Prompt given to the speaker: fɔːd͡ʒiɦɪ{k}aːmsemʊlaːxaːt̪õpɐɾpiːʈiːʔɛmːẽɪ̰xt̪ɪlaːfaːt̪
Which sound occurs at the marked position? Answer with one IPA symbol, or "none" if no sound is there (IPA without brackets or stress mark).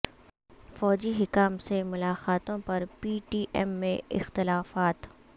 k